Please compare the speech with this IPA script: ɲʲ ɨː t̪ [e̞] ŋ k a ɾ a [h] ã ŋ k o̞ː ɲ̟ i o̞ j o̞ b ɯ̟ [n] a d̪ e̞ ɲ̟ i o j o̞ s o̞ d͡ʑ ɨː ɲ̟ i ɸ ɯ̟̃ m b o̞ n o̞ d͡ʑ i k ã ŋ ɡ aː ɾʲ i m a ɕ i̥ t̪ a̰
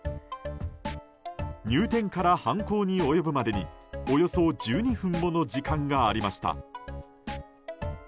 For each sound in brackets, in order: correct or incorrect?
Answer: incorrect, correct, incorrect

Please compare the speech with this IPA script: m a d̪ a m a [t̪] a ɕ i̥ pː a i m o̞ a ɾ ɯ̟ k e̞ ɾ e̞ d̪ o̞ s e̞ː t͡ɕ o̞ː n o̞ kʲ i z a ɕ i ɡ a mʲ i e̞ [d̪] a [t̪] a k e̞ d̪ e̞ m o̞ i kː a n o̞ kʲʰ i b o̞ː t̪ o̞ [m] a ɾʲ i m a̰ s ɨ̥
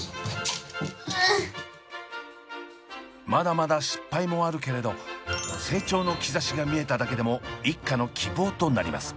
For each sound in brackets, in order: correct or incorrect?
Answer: incorrect, incorrect, incorrect, incorrect

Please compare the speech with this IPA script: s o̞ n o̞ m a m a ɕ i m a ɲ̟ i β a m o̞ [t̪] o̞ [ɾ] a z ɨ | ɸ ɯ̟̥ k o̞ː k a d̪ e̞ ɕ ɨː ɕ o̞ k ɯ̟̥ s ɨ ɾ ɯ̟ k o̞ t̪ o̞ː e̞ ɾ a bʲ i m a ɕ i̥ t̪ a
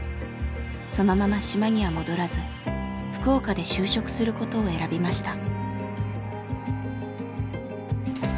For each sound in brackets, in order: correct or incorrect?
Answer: incorrect, correct

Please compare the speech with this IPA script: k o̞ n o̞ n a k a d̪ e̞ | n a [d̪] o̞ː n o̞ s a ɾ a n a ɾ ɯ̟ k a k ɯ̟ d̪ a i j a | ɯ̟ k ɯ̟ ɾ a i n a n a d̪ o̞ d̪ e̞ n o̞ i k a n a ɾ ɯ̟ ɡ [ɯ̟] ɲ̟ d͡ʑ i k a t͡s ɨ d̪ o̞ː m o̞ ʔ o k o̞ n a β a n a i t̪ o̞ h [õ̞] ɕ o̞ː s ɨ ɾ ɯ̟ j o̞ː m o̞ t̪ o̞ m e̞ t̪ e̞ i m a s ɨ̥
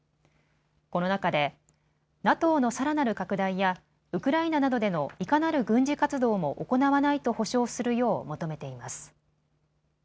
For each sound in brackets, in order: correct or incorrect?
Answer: incorrect, incorrect, incorrect

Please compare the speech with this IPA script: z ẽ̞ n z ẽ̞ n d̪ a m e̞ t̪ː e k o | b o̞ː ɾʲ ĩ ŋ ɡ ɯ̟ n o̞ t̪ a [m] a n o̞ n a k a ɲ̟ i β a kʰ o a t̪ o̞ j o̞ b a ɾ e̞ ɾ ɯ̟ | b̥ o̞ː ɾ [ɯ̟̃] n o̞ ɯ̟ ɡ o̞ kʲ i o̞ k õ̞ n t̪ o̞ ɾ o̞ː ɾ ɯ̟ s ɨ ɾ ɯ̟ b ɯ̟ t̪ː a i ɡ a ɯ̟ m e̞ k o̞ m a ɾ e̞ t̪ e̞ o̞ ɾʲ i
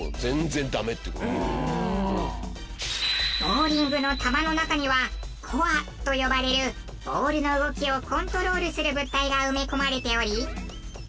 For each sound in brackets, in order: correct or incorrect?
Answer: correct, incorrect

